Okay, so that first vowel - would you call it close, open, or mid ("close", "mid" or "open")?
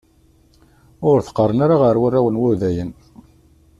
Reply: close